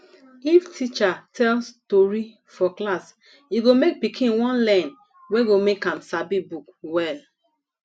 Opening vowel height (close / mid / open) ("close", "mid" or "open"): close